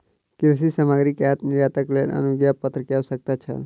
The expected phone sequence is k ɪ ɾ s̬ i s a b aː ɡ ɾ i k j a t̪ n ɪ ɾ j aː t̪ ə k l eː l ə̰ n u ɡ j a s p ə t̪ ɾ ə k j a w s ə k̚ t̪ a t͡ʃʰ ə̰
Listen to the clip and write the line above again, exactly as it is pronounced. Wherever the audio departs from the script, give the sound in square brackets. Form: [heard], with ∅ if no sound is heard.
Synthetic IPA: k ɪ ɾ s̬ i s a [m] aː ɡ ɾ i k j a t̪ n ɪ ɾ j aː t̪ ə k l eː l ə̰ n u ɡ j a [∅] p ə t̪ ɾ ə k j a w s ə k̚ t̪ a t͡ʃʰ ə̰

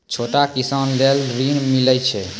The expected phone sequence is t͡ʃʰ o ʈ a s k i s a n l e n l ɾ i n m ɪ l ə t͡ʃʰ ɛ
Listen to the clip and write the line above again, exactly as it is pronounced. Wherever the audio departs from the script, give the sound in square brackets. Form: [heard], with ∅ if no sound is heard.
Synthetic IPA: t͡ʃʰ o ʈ a [∅] k i s a n l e [∅] l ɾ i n m [i] l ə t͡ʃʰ ɛ

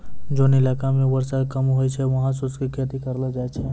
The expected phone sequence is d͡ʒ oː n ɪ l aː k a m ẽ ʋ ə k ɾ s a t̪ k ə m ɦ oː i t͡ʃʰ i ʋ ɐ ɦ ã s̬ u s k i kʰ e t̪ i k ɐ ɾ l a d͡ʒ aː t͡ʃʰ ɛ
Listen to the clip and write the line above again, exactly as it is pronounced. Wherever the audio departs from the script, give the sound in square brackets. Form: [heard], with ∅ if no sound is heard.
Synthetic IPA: d͡ʒ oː n ɪ l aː k a m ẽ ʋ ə [∅] ɾ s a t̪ k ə m ɦ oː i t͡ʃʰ [ɛ] ʋ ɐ ɦ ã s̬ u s k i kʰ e t̪ i k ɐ ɾ l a d͡ʒ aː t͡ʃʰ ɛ

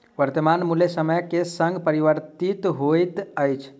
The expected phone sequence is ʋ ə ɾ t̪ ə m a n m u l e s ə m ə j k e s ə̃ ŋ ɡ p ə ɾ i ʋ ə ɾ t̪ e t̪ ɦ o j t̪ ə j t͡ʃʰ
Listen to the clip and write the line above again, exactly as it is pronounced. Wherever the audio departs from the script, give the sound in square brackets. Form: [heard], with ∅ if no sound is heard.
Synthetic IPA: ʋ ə ɾ t̪ ə m a n m u l e s ə m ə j k e s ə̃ ŋ ɡ p ə ɾ i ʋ ə ɾ t̪ [i] t̪ ɦ o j t̪ ə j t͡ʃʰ

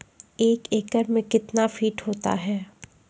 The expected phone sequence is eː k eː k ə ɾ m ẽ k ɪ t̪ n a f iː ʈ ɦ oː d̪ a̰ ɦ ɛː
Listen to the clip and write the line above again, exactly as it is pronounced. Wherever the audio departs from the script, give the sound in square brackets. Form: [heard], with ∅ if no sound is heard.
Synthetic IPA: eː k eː k ə ɾ m ẽ k ɪ t̪ n a f iː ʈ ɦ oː [t̪] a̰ ɦ ɛː

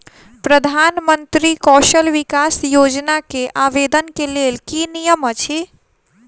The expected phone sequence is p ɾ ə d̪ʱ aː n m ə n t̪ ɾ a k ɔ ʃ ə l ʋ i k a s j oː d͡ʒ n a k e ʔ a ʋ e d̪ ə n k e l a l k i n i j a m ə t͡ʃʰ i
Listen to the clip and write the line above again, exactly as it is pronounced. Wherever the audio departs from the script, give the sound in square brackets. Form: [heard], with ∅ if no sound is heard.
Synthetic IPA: p ɾ ə d̪ʱ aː n m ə n t̪ ɾ [i] k ɔ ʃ ə l ʋ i k a s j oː d͡ʒ n a k e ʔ a ʋ e d̪ ə n k e l [e] l k i n i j [ə] m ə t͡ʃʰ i

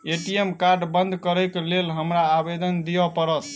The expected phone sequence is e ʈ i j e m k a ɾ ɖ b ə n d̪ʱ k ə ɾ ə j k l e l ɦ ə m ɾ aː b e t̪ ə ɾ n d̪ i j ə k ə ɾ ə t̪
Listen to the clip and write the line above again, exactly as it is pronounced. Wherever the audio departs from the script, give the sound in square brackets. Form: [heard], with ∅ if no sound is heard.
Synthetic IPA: e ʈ i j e m k a ɾ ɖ b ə n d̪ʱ k ə ɾ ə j k l e l ɦ ə m ɾ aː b e [d̪] ə [∅] n d̪ i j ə [p] ə ɾ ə t̪

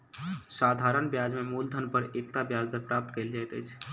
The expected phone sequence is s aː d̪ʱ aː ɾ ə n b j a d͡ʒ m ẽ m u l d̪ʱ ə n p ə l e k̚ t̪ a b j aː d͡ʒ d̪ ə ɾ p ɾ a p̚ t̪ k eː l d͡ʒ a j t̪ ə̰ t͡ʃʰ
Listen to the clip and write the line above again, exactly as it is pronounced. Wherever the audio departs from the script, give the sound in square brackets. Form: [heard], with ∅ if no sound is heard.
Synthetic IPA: s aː d̪ʱ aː ɾ ə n b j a d͡ʒ m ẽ m u l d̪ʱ ə n p ə [ɾ] e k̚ t̪ a b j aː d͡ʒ d̪ ə ɾ p ɾ a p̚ t̪ k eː l d͡ʒ a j t̪ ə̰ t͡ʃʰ

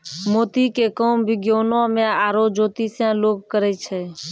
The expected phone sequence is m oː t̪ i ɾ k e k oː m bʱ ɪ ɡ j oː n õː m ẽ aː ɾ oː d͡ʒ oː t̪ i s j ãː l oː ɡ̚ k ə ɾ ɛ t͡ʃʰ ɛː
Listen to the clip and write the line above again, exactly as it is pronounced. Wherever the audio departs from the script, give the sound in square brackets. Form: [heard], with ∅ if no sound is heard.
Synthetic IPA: m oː t̪ i [∅] k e k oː m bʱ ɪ ɡ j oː n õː m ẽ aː ɾ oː d͡ʒ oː t̪ i s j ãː l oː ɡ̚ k ə ɾ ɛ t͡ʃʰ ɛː

